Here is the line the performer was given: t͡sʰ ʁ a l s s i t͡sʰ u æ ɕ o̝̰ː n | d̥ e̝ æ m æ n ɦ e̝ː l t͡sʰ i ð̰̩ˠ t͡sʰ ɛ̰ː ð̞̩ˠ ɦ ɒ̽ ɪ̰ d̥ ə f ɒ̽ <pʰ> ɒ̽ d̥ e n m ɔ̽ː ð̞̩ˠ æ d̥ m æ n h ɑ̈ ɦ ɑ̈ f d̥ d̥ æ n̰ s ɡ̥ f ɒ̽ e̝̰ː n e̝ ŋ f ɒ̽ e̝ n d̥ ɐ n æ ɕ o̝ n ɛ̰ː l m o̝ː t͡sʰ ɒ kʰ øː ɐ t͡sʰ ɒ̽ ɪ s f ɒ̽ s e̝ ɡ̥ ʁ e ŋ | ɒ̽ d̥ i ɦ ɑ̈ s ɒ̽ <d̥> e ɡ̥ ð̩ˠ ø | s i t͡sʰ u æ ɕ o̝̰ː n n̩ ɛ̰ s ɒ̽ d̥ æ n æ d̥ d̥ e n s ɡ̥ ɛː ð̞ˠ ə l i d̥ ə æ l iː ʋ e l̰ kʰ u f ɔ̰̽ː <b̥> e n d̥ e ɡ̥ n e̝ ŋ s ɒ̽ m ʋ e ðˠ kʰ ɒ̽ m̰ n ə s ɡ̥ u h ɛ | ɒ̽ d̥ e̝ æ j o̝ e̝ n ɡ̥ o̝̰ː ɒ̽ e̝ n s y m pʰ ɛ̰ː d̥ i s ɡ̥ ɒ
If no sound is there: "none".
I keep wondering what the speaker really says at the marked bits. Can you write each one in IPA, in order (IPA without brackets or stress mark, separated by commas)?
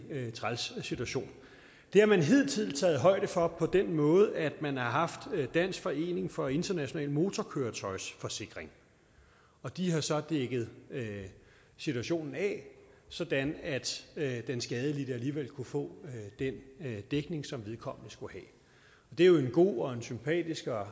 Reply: pʰ, d̥, d̥